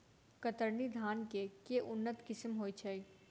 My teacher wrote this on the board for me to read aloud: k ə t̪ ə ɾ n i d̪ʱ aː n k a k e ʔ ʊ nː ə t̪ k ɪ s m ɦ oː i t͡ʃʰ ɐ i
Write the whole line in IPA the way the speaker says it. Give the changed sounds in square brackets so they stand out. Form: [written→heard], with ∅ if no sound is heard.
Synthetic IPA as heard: k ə t̪ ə ɾ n i d̪ʱ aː n k [a→e] k e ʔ ʊ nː ə t̪ k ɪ s m ɦ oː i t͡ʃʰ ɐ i